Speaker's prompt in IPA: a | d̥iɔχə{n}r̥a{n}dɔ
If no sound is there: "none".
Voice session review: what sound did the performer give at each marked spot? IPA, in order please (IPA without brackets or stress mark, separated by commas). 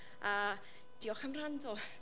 m, n